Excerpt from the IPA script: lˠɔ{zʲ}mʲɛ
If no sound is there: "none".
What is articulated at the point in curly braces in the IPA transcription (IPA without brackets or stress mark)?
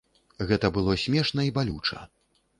sʲ